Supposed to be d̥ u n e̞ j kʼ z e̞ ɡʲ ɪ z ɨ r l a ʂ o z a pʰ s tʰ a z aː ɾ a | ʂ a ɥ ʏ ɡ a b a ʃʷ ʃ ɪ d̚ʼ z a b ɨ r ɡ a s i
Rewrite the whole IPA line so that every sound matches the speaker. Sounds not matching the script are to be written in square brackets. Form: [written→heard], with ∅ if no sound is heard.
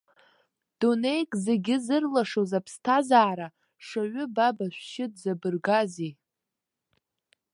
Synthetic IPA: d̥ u n e̞ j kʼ z e̞ ɡʲ ɪ z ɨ r l a ʂ o z a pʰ s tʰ a z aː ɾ a | ʂ a ɥ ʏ [ɡ→b] a b a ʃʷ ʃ ɪ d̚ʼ z a b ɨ r ɡ a [s→z] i